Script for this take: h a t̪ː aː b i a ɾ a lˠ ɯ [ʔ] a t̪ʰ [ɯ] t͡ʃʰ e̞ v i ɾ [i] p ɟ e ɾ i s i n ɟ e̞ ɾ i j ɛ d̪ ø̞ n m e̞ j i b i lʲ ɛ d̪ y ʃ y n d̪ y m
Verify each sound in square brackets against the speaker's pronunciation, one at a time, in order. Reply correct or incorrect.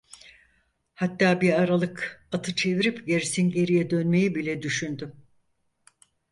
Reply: incorrect, correct, correct

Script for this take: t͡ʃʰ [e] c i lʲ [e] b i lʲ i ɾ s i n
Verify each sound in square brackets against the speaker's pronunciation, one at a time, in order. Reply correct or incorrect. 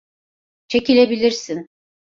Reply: correct, correct

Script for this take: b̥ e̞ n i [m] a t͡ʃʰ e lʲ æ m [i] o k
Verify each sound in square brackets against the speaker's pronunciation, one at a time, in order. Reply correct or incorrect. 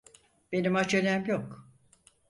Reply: correct, incorrect

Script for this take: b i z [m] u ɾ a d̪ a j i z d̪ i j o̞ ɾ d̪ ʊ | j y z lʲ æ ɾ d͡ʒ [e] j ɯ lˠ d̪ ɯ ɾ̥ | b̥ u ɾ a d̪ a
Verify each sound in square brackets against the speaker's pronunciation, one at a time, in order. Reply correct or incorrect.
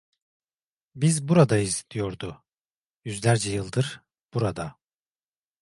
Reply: incorrect, incorrect

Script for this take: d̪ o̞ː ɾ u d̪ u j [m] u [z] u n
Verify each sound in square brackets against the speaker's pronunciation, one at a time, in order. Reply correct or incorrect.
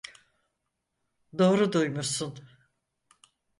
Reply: correct, incorrect

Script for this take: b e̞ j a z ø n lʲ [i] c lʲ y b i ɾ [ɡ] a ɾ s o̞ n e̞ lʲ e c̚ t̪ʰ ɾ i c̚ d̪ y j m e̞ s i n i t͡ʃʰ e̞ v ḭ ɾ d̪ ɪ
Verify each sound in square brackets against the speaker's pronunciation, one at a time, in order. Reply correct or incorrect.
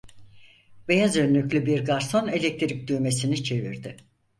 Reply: incorrect, correct

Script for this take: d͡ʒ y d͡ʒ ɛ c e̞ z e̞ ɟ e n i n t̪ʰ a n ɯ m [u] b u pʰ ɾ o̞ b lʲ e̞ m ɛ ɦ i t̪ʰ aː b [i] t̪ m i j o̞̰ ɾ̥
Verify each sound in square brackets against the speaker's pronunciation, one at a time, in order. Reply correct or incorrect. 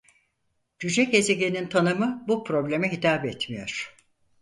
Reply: incorrect, incorrect

